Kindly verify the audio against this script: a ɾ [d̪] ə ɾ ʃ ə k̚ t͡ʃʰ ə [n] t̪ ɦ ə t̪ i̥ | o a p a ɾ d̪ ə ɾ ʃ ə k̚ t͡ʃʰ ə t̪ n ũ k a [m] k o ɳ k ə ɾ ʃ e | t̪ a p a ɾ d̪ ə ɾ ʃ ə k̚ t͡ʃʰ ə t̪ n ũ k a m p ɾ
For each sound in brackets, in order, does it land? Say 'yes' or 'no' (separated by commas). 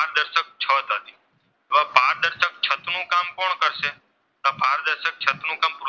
yes, no, yes